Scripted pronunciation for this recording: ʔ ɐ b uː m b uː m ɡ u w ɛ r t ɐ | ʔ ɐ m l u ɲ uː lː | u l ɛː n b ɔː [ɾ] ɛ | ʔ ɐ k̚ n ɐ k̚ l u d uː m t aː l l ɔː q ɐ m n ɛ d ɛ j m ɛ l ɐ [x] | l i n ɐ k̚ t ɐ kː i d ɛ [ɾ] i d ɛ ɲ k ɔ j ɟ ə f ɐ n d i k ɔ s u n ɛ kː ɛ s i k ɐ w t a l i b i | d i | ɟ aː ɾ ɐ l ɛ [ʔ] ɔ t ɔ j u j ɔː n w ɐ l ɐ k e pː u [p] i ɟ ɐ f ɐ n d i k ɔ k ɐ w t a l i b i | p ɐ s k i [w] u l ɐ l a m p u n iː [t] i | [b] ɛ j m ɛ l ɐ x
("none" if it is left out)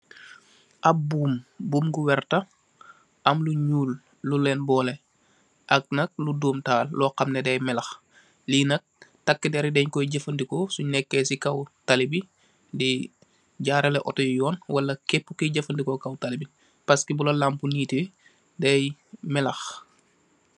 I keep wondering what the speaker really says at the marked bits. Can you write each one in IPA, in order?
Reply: l, x, ɾ, ʔ, k, b, t, d

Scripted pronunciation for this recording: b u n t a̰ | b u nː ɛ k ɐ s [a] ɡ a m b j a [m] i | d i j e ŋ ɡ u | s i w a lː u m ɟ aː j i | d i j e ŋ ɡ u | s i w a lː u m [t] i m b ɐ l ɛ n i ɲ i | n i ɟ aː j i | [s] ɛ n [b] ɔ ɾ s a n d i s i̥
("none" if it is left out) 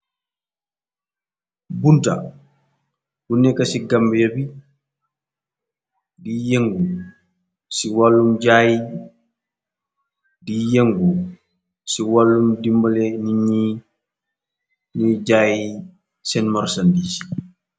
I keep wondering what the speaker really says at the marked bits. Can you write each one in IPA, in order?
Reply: i, b, d, s, m

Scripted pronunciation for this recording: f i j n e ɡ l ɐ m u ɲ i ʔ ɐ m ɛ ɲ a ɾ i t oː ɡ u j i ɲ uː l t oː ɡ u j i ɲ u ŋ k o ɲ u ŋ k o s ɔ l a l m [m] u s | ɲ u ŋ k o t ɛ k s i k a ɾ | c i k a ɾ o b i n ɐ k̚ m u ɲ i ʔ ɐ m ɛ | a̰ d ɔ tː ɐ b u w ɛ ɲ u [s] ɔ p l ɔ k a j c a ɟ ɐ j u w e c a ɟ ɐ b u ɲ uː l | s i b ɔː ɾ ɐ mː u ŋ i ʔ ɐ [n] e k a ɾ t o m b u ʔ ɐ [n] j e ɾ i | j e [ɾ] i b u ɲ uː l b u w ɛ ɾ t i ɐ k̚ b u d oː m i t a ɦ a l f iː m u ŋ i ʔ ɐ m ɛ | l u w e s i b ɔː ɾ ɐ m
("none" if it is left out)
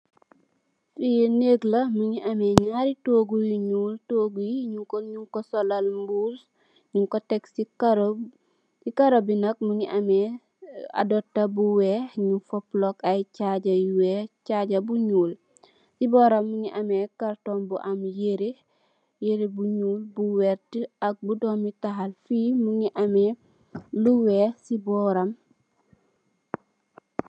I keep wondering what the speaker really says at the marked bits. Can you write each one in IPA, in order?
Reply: b, f, m, m, ɾ

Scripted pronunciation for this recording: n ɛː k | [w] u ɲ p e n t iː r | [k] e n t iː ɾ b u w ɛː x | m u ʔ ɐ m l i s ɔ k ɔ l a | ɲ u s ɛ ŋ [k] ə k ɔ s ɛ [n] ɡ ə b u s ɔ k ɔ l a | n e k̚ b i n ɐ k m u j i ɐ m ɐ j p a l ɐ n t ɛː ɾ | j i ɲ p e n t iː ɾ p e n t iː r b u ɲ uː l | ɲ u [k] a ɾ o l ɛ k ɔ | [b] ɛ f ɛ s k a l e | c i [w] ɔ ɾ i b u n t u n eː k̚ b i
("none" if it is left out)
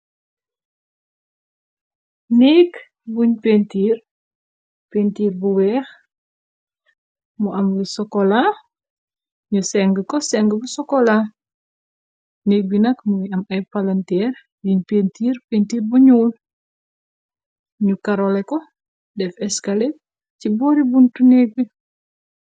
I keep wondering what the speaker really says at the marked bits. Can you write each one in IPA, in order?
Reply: b, p, ɡ, ŋ, k, d, b

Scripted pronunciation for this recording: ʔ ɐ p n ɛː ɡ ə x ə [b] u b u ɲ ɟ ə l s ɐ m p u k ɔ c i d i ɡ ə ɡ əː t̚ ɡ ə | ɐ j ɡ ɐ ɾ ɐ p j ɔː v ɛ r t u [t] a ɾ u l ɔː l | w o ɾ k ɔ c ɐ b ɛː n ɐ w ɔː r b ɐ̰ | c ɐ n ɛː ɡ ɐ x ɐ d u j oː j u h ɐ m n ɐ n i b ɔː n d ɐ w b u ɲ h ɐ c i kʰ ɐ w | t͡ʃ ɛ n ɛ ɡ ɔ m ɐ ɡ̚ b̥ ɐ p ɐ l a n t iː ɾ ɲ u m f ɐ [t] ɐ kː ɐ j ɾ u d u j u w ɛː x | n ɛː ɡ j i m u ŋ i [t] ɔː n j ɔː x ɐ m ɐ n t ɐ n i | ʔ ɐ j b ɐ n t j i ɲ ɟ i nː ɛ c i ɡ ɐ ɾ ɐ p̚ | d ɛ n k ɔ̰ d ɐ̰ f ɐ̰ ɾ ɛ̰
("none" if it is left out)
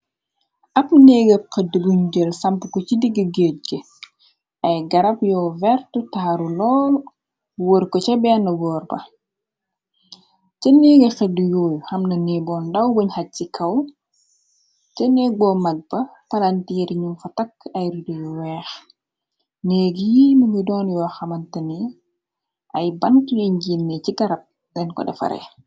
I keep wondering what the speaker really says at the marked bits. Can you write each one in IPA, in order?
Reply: d, t, t, d

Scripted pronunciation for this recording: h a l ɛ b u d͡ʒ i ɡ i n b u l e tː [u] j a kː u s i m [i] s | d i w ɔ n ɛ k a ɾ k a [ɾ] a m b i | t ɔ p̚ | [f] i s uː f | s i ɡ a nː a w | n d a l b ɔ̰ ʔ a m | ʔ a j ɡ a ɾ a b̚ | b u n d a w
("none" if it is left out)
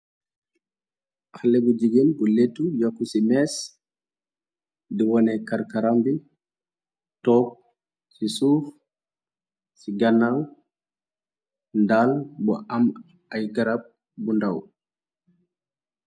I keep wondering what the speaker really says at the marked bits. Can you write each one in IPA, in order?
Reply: u, ɛ, ɾ, s

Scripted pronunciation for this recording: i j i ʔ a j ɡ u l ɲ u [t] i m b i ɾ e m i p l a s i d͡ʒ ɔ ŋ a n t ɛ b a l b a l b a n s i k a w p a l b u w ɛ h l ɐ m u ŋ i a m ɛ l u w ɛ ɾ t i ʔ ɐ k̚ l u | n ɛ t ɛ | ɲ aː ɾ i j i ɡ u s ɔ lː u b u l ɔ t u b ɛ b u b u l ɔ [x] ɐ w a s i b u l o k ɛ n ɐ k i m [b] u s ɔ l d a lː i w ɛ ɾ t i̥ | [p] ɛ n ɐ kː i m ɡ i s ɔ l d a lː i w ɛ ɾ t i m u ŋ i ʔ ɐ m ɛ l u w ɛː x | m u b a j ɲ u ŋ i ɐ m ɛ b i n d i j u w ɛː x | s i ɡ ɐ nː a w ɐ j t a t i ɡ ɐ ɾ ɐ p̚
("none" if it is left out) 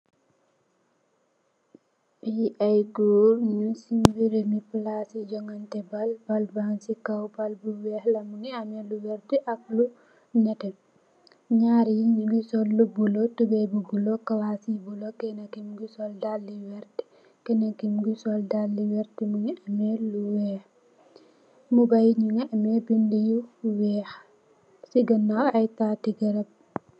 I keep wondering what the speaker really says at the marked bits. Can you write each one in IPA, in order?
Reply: s, k, ɡ, k

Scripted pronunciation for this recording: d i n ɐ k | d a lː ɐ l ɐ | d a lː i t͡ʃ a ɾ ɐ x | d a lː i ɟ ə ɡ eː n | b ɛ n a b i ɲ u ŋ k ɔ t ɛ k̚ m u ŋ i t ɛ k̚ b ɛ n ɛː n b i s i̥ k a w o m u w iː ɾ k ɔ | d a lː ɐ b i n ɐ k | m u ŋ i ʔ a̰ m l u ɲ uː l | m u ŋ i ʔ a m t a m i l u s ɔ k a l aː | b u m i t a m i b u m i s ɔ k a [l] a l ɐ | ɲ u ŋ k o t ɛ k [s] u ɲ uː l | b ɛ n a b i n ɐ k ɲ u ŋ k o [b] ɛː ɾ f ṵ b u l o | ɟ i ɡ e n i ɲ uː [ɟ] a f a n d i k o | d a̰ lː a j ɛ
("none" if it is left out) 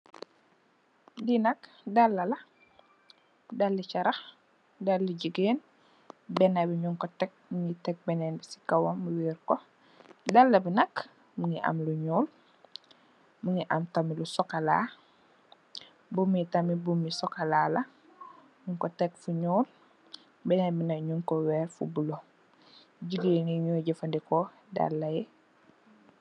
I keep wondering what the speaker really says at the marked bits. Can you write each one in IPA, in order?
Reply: l, f, w, ɟ

